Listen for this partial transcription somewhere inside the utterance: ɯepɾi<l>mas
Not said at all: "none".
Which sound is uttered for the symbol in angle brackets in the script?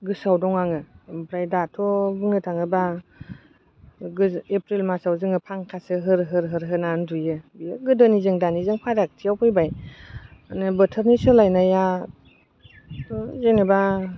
l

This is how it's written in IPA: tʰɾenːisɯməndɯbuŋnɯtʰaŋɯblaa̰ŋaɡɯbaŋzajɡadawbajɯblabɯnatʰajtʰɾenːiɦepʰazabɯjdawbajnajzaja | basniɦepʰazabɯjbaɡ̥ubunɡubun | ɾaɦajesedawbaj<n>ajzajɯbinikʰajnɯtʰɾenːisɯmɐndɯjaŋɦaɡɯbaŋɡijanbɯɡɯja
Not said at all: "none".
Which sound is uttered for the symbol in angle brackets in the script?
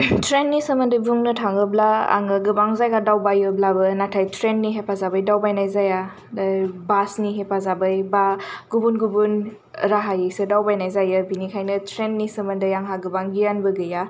n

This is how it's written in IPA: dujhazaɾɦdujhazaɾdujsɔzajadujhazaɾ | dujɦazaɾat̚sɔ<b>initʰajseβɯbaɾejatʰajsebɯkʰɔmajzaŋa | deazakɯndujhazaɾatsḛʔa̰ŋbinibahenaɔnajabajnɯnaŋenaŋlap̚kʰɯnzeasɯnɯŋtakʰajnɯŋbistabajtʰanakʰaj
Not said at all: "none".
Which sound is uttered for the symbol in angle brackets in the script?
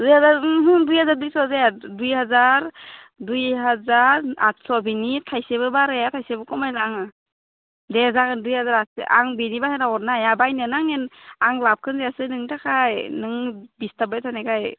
b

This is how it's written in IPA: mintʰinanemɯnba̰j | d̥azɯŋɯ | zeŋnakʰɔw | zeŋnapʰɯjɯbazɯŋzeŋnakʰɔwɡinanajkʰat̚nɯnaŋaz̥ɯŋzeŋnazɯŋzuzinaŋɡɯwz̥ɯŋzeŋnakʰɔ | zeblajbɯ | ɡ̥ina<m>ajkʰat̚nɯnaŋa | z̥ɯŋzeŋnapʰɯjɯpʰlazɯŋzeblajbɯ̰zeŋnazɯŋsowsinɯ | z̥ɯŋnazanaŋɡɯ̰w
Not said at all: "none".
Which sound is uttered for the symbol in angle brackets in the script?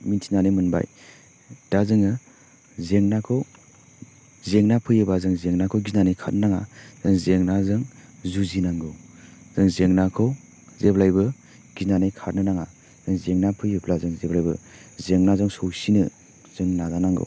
n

